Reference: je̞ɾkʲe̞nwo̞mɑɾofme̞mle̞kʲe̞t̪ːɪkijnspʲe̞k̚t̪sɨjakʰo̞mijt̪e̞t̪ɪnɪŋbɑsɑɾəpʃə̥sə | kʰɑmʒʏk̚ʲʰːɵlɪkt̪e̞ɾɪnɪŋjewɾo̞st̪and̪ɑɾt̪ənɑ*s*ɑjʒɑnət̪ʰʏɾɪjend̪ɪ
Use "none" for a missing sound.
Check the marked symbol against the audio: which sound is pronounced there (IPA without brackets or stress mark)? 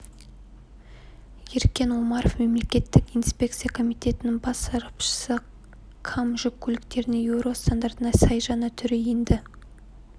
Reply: s